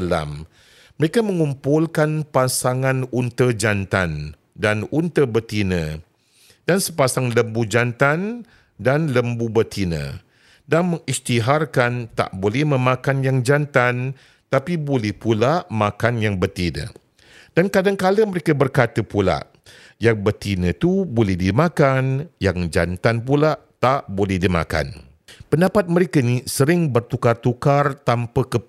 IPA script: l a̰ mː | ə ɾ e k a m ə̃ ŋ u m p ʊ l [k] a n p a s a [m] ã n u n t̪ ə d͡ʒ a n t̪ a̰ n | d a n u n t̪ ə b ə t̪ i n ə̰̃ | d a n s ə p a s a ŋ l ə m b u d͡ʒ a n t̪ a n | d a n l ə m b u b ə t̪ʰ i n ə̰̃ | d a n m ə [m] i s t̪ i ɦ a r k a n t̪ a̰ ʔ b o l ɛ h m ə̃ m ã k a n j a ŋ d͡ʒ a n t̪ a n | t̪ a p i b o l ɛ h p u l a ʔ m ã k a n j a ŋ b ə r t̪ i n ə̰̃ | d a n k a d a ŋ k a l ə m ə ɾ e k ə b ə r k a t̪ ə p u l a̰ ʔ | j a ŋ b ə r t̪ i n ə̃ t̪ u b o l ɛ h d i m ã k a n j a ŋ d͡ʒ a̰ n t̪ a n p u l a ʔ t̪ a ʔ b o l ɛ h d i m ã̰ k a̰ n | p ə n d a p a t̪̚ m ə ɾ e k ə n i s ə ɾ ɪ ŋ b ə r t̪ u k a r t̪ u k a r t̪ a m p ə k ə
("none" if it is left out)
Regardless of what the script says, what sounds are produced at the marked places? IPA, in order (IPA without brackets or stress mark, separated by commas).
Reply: k, ŋ, ŋ